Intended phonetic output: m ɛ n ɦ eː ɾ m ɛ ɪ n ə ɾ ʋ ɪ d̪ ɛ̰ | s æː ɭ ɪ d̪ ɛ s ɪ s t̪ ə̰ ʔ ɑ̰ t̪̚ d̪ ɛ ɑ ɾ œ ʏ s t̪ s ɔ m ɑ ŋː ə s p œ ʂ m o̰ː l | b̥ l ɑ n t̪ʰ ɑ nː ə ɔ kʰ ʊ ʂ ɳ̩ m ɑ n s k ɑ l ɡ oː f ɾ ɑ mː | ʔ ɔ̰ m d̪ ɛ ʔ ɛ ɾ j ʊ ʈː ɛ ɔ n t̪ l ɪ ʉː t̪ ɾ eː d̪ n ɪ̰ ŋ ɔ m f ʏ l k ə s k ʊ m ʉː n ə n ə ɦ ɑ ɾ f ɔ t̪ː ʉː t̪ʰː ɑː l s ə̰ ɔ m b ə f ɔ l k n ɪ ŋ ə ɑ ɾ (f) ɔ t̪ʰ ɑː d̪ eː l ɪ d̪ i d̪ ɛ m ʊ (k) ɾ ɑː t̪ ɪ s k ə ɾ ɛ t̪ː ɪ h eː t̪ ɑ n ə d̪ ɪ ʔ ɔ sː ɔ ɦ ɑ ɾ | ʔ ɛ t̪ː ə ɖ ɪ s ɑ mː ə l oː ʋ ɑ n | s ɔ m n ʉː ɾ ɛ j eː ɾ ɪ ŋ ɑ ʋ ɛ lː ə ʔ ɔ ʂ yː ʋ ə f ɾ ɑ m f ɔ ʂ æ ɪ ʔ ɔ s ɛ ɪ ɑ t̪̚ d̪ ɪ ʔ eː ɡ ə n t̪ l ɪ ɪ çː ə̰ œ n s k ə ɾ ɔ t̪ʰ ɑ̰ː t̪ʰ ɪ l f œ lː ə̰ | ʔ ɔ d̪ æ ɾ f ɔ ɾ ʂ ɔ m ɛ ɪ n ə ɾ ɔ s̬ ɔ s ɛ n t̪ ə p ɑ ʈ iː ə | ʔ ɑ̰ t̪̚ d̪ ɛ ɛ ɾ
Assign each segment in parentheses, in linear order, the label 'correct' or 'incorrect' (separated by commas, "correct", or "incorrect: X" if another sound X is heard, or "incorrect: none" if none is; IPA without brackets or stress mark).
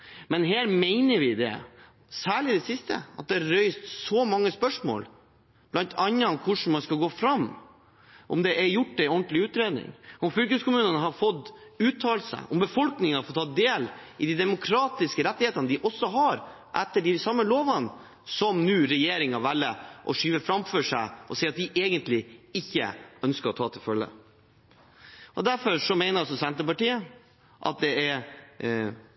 correct, incorrect: kʰ